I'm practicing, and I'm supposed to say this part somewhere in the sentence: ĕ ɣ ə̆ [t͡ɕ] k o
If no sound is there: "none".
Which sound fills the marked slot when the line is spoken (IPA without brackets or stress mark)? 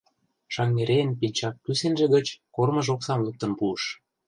t͡ɕ